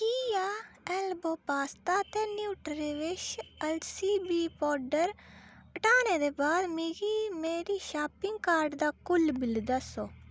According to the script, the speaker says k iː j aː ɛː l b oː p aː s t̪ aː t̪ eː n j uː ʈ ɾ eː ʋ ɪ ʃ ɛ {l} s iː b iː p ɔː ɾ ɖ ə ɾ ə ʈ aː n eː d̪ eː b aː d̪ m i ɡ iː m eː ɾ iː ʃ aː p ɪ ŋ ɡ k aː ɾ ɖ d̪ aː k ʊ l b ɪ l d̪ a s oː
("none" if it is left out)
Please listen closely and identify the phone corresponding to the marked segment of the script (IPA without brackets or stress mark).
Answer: l